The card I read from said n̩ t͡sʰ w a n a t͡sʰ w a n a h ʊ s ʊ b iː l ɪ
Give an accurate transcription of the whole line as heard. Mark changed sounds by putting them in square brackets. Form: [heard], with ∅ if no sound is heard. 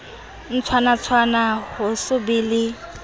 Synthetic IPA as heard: n̩ t͡sʰ w a n a t͡sʰ w a n a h ʊ s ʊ b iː l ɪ